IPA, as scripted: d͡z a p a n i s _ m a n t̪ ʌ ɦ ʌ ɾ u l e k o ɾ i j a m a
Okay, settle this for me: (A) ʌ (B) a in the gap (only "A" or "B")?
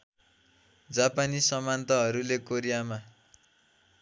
A